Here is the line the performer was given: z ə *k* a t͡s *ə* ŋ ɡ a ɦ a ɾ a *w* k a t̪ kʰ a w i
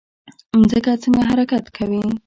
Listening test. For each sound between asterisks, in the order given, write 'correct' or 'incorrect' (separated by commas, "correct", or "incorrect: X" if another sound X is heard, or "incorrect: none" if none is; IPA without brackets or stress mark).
correct, correct, incorrect: none